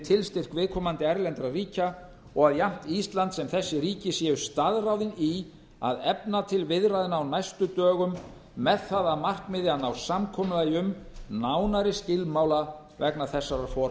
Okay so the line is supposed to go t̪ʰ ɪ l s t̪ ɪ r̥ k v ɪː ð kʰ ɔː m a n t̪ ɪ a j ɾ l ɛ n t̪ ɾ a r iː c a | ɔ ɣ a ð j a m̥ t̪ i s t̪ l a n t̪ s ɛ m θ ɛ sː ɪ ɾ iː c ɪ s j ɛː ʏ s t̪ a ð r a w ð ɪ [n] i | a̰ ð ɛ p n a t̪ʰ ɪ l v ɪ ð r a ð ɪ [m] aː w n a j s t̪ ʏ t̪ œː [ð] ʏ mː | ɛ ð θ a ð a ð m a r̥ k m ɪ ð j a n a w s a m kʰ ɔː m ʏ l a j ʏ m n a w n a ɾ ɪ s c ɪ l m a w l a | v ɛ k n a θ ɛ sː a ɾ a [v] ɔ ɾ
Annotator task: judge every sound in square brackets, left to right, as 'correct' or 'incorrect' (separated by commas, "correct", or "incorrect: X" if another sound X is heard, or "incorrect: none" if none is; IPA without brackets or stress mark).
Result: correct, incorrect: n, incorrect: ɣ, incorrect: f